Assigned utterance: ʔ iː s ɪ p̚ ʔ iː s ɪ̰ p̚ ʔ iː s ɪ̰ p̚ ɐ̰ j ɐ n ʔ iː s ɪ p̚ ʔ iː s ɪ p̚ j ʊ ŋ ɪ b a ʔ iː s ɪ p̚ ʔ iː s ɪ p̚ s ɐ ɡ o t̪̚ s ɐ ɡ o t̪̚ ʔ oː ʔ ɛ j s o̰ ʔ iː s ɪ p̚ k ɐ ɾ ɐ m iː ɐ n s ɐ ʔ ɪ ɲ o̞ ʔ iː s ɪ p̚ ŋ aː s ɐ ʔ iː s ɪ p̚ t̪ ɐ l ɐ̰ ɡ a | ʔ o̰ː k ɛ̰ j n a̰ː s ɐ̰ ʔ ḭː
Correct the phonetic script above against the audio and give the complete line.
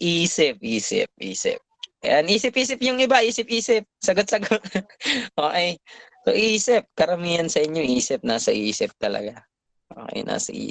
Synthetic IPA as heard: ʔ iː s ɪ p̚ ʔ iː s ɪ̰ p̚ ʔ iː s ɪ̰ p̚ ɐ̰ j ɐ n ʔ iː s ɪ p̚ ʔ iː s ɪ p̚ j ʊ ŋ ɪ b a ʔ iː s ɪ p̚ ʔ iː s ɪ p̚ s ɐ ɡ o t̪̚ s ɐ ɡ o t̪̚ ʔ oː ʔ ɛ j s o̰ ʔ iː s ɪ p̚ k ɐ ɾ ɐ m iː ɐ n s ɐ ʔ ɪ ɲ o̞ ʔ iː s ɪ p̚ n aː s ɐ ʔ iː s ɪ p̚ t̪ ɐ l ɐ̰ ɡ a | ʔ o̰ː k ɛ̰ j n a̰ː s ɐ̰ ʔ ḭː